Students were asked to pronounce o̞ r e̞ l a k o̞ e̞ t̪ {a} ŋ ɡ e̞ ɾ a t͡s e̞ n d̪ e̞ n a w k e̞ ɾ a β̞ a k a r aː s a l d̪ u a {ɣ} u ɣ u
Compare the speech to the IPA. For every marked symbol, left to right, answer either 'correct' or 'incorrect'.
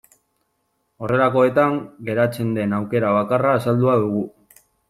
correct, incorrect: ð

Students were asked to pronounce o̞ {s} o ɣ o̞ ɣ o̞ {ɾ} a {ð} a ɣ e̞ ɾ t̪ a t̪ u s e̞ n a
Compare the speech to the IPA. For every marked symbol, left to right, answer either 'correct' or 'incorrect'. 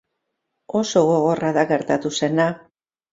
correct, incorrect: r, correct

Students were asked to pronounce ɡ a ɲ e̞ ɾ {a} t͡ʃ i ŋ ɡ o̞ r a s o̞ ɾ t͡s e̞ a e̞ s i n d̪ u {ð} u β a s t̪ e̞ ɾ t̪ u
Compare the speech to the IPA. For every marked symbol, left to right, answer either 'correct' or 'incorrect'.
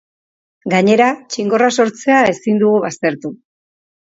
correct, incorrect: ɣ

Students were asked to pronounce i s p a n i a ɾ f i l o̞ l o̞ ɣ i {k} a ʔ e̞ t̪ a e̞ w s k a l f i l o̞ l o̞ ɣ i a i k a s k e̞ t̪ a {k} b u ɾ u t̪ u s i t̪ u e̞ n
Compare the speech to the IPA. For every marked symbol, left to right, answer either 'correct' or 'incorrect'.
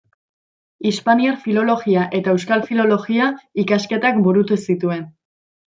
incorrect: none, correct

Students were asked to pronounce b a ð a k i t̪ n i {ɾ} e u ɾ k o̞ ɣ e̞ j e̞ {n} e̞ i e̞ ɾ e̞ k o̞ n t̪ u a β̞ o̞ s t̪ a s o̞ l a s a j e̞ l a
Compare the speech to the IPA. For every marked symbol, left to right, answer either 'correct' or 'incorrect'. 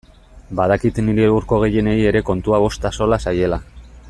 correct, correct

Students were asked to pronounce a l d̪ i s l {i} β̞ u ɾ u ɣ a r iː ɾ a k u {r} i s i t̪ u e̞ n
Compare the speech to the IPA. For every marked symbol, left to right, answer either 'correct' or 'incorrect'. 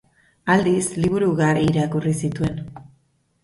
correct, correct

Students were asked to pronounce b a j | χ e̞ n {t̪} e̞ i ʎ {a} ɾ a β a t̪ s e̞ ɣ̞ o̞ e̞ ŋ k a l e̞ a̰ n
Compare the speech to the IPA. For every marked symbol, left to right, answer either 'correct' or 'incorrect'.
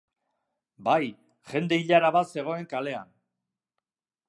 incorrect: d̪, correct

